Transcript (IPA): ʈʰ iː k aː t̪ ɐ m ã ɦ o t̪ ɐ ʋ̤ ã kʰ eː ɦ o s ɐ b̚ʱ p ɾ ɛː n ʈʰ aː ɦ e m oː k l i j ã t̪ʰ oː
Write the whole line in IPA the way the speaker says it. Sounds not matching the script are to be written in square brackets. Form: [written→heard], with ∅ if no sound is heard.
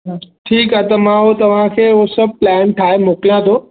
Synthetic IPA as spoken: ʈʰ iː k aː t̪ ɐ m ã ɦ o t̪ ɐ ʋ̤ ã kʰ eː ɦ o s ɐ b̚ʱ p [ɾ→l] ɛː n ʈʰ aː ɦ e m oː k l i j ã t̪ʰ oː